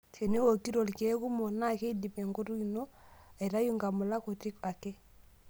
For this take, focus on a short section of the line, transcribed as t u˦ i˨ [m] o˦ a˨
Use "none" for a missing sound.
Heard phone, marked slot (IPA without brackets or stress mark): n